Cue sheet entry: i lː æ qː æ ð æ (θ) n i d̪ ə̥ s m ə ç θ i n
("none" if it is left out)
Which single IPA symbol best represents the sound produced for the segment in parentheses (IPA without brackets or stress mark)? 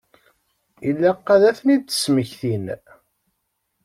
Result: θ